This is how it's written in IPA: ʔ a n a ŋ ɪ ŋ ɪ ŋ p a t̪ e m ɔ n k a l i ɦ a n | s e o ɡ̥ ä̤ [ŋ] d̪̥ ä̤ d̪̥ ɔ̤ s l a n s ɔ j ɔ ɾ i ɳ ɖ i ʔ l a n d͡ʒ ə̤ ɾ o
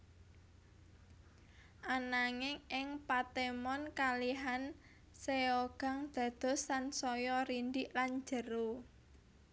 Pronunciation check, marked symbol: correct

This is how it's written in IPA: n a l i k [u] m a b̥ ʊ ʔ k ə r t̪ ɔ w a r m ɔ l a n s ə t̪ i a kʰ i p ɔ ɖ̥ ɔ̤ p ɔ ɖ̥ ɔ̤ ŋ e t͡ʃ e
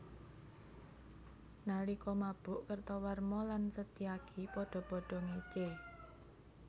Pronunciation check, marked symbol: incorrect: ɔ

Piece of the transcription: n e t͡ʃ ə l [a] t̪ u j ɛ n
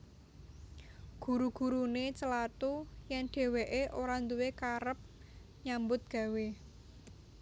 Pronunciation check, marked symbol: correct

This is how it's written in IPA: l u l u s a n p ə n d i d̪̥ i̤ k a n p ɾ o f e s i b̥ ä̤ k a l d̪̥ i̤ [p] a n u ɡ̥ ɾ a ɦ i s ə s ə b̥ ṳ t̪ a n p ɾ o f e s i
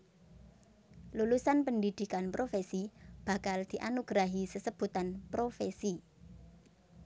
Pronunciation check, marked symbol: incorrect: ʔ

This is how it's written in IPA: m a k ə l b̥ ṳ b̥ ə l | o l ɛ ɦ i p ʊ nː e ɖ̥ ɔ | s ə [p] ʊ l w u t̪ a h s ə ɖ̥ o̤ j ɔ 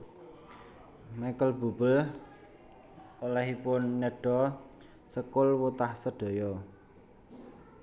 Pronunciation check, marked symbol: incorrect: k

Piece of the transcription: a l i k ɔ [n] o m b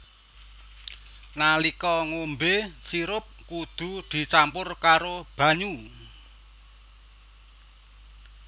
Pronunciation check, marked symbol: incorrect: ŋ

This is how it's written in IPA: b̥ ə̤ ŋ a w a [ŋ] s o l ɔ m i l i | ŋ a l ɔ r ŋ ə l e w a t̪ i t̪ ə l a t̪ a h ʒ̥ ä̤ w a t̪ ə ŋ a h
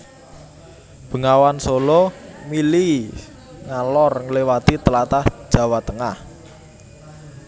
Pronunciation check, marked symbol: incorrect: n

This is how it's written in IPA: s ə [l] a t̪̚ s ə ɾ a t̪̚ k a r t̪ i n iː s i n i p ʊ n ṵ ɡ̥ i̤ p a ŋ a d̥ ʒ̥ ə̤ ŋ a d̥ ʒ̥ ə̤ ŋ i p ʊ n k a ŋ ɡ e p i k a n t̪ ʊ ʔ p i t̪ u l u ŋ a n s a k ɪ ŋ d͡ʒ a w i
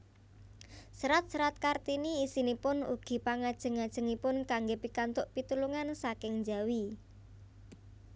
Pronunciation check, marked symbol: incorrect: ɾ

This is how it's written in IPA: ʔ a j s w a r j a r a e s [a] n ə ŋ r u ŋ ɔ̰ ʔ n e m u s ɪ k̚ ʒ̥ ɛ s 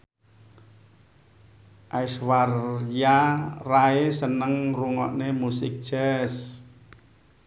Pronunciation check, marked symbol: incorrect: ə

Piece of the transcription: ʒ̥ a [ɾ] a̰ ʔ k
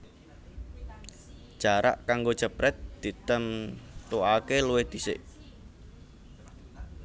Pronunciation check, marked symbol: correct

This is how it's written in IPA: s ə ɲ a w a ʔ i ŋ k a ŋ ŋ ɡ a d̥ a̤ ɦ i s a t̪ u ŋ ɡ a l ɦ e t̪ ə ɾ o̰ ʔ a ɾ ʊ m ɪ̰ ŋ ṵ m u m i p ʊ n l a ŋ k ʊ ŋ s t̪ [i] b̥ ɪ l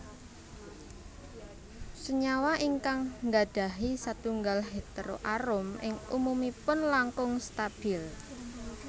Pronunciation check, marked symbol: incorrect: a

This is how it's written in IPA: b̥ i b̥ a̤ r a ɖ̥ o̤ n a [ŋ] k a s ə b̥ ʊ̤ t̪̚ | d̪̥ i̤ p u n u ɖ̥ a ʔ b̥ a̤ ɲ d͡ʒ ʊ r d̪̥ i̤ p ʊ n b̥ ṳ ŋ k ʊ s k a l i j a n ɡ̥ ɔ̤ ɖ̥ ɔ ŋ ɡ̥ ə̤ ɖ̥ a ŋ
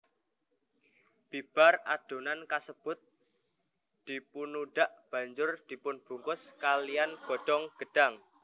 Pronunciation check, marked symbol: incorrect: n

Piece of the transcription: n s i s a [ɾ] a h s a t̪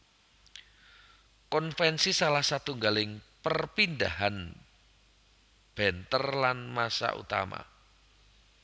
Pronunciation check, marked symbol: incorrect: l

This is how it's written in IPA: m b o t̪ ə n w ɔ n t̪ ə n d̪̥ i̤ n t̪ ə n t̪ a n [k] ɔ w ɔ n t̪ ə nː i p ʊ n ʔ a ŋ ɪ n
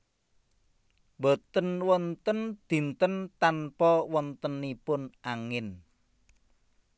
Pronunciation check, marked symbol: incorrect: p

